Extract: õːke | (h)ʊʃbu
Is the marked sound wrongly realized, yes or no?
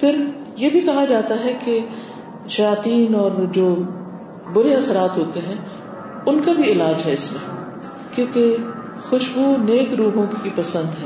yes